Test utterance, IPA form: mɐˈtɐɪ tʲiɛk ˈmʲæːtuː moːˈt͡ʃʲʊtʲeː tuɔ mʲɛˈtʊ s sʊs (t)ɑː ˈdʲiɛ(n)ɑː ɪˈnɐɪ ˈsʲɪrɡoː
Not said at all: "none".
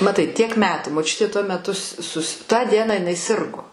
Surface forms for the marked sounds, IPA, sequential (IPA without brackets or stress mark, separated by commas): t, n